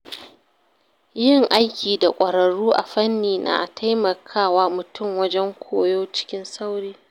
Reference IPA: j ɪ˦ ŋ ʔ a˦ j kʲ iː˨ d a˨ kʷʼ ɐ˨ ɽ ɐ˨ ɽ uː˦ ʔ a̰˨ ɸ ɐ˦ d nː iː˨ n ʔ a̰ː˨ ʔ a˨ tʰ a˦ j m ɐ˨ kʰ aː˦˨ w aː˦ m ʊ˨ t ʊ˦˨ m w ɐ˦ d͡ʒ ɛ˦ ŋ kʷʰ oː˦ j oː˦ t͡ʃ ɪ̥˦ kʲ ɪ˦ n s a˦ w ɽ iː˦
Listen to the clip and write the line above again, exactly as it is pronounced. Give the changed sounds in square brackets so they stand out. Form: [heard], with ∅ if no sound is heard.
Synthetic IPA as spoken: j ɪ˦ ŋ ʔ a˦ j kʲ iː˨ d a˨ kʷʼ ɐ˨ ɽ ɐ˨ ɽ uː˦ ʔ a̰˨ ɸ ɐ˦ [∅] nː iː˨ n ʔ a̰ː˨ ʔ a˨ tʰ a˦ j m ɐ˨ kʰ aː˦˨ w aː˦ m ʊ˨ t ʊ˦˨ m w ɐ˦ d͡ʒ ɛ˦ ŋ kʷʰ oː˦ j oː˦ t͡ʃ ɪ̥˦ kʲ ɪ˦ n s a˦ w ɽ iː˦